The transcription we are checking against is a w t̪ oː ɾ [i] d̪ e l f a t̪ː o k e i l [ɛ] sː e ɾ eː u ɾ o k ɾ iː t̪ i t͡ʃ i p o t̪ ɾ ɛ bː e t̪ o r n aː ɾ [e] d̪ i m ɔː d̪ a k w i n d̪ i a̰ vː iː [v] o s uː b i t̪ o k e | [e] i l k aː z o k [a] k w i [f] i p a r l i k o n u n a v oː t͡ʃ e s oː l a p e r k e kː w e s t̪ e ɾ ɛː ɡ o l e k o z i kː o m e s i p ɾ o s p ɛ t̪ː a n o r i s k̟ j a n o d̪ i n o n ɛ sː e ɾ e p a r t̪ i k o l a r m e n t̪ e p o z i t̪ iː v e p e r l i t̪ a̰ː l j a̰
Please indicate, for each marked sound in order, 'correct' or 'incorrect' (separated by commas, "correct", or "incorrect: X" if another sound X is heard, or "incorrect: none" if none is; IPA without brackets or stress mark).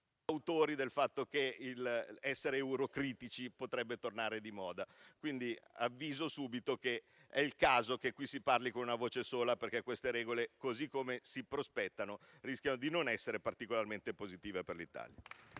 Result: correct, correct, correct, incorrect: z, incorrect: ɛ, incorrect: e, incorrect: s